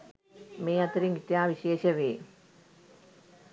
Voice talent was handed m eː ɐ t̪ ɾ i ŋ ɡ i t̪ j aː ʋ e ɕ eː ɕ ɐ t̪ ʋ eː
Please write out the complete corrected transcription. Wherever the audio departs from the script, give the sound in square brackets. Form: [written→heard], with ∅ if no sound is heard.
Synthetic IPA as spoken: m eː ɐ t̪ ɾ i ŋ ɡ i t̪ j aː ʋ [e→i] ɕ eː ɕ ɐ [t̪→∅] ʋ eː